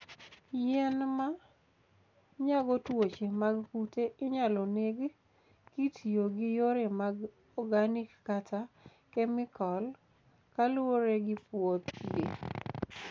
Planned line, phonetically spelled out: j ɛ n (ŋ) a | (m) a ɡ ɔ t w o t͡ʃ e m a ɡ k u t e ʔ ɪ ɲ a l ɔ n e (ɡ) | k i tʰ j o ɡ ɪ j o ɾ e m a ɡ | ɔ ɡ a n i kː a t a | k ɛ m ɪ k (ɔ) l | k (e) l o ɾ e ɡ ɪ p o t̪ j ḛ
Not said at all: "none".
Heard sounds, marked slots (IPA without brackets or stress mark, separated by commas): m, ɲ, ɡ, ɔ, a